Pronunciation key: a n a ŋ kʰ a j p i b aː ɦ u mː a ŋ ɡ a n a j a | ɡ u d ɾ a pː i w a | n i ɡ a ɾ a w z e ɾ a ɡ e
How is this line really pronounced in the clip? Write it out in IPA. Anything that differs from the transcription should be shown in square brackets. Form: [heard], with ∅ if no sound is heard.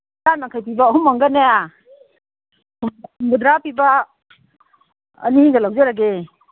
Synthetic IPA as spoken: a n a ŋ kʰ a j p i b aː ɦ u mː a ŋ ɡ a n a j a | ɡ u d ɾ a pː i [b] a | n i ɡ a [l] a w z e ɾ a ɡ e